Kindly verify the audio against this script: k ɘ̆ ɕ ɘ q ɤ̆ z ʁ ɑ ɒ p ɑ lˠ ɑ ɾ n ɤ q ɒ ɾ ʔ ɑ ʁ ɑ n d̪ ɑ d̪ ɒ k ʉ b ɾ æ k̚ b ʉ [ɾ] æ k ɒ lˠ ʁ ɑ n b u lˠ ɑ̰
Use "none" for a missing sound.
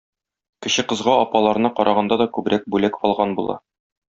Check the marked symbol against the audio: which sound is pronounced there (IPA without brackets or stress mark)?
l